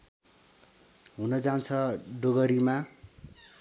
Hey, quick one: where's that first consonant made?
throat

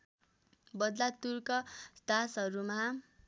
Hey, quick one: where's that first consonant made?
lips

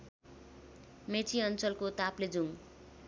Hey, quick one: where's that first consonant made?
lips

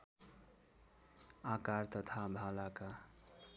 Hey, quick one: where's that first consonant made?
velum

